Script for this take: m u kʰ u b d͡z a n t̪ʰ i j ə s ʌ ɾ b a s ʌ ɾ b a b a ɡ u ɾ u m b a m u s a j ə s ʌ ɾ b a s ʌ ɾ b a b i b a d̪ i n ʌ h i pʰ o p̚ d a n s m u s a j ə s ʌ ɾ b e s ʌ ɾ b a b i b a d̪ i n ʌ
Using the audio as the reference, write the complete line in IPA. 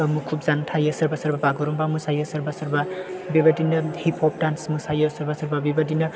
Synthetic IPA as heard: m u kʰ u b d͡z a n t̪ʰ a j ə s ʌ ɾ b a s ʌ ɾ b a b a ɡ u ɾ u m b a m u s a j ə s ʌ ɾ b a s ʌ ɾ b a b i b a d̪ i n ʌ h i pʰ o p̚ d a n s m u s a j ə s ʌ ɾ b a s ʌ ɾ b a b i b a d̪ i n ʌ